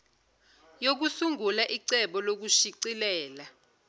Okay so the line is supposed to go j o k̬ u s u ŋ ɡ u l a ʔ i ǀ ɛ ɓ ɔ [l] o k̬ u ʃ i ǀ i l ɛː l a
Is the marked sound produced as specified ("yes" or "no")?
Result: yes